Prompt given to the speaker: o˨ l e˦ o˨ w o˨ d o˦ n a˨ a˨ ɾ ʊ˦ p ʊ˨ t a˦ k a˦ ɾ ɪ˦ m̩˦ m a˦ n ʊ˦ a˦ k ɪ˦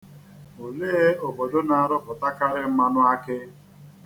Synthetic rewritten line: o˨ l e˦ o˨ b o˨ d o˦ n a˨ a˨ ɾ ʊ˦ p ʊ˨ t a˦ k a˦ ɾ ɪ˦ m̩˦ m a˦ n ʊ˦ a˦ k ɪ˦